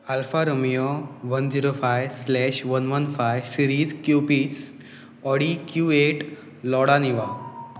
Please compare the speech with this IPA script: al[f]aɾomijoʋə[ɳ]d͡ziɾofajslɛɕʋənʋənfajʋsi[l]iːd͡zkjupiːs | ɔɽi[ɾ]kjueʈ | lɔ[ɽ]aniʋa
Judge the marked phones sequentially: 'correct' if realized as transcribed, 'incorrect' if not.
correct, incorrect, incorrect, incorrect, correct

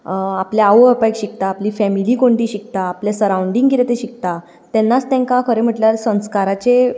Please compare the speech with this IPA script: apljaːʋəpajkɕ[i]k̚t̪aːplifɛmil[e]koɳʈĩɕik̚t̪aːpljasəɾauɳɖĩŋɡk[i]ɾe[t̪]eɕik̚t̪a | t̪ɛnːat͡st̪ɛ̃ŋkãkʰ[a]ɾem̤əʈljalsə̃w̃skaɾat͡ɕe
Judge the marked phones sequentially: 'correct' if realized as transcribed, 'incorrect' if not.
correct, incorrect, correct, correct, incorrect

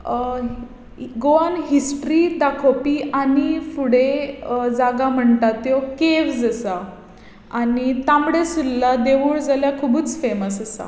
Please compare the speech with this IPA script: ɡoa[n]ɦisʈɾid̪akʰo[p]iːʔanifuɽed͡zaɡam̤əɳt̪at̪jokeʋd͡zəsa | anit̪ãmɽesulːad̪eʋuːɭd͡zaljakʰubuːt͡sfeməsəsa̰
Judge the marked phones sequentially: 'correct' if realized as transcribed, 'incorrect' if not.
correct, correct

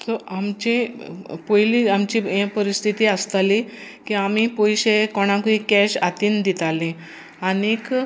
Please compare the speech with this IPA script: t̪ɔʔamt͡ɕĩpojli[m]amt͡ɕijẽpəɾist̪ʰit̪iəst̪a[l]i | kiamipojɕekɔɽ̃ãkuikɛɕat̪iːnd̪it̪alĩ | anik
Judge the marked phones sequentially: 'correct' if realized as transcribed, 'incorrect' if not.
incorrect, correct

